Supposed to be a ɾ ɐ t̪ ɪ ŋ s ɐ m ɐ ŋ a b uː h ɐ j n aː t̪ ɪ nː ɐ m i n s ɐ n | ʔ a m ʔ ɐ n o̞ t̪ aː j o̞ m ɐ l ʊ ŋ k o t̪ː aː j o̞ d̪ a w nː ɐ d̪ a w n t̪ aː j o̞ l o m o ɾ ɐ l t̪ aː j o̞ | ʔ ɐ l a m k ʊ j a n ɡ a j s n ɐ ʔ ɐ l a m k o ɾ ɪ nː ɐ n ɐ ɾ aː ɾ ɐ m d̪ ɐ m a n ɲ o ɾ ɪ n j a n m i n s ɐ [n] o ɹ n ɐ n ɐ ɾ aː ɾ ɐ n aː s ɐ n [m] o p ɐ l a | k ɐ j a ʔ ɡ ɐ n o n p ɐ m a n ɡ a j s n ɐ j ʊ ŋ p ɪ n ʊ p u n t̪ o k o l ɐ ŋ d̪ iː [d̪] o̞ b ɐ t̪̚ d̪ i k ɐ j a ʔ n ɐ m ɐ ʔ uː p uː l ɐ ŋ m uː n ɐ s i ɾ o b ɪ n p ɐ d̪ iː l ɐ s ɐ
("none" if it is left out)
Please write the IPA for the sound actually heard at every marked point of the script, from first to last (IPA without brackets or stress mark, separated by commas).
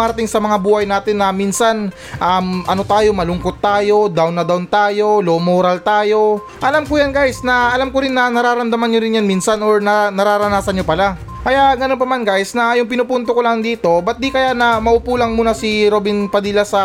n, ɲ, t̪